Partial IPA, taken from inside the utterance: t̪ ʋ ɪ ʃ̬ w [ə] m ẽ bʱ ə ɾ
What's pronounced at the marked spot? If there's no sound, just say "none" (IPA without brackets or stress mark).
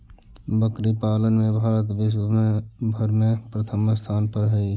ə